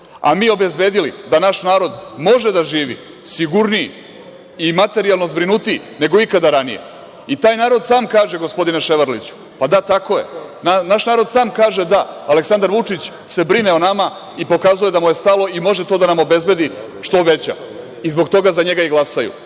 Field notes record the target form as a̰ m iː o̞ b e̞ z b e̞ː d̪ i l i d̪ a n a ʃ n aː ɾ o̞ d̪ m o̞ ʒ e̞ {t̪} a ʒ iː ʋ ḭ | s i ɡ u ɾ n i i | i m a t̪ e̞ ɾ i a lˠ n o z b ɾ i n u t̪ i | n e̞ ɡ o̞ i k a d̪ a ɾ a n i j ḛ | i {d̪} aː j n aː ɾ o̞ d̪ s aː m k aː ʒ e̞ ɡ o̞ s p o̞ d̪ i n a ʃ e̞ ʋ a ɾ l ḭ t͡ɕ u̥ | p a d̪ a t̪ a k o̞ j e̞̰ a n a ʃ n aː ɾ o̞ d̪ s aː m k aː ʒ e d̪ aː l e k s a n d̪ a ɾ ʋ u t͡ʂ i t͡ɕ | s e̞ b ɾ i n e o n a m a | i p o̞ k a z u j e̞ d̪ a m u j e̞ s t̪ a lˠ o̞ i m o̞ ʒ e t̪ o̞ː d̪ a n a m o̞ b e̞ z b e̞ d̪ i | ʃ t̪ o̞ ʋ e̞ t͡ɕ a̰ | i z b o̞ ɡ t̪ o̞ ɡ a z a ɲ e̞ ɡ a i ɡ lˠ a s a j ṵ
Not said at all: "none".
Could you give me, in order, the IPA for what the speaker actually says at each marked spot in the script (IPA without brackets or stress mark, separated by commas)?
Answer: d̪, t̪